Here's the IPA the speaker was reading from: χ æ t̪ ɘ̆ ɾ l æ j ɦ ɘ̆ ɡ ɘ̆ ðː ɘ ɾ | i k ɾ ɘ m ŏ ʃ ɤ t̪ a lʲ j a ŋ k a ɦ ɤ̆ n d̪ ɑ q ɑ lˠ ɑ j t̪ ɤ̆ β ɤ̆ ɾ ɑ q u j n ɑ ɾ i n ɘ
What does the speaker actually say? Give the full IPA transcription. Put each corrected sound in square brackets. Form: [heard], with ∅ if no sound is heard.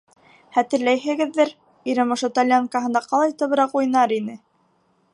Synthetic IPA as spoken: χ æ t̪ ɘ̆ ɾ l æ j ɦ ɘ̆ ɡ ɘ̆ ðː ɘ ɾ | i [∅] ɾ ɘ m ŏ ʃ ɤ t̪ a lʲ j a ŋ k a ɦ ɤ̆ n d̪ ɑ q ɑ lˠ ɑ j t̪ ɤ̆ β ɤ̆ ɾ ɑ q u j n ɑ ɾ i n ɘ